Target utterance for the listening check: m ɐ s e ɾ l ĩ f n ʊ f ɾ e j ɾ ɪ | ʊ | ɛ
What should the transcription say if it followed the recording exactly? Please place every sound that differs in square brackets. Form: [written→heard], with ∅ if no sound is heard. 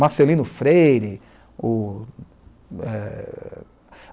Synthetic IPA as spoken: m [ɐ→a] s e [ɾ→∅] l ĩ [f→∅] n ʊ f ɾ e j ɾ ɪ | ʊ | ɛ